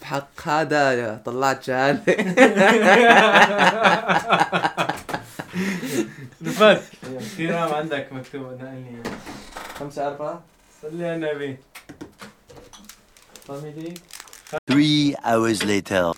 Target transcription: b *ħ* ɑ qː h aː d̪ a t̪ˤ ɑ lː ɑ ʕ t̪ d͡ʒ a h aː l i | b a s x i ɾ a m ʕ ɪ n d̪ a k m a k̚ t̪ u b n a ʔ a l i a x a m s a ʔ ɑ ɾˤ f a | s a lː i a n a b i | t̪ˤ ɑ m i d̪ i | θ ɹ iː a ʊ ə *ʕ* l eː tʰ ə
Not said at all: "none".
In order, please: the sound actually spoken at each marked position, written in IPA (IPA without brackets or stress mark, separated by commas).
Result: ħ, z